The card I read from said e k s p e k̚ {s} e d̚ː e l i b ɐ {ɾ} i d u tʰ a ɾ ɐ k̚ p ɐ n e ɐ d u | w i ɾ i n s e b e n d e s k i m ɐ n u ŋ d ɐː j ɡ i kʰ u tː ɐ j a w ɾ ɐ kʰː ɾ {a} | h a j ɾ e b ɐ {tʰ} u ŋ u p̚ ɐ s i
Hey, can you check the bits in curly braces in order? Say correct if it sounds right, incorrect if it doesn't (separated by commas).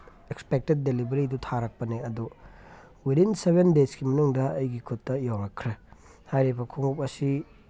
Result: incorrect, correct, incorrect, incorrect